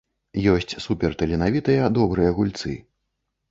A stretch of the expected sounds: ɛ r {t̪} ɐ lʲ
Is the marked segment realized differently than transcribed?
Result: no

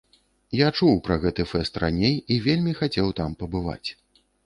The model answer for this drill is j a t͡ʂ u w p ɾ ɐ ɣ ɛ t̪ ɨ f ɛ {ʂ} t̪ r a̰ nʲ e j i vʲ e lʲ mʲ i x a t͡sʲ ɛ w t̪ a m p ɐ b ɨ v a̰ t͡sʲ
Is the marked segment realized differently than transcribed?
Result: yes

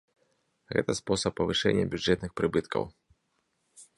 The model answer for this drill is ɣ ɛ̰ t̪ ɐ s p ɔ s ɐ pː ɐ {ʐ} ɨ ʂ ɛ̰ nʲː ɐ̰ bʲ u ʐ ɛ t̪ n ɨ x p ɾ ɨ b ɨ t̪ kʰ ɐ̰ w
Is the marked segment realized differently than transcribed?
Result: yes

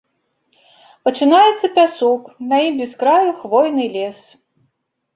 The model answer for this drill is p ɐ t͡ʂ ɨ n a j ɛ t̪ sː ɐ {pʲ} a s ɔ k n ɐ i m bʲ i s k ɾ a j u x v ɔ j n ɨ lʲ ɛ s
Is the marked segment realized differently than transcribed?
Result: no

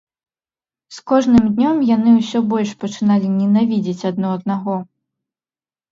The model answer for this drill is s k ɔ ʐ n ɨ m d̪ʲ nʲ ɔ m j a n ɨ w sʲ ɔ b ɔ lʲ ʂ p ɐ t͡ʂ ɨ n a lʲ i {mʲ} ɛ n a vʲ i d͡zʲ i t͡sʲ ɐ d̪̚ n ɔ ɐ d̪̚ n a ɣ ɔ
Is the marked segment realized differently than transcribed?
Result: yes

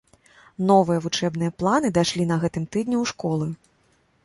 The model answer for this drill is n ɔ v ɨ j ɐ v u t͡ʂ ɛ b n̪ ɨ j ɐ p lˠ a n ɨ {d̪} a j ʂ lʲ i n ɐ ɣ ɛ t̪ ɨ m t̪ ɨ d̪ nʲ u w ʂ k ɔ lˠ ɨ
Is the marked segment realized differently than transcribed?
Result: no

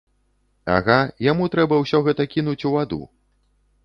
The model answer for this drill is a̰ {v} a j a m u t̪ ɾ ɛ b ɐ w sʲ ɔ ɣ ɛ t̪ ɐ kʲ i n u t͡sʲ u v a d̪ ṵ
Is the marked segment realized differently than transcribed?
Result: yes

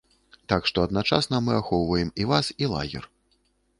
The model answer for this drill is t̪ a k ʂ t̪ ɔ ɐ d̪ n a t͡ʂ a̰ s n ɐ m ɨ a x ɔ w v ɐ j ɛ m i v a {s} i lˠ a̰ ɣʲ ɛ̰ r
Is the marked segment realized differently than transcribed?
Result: no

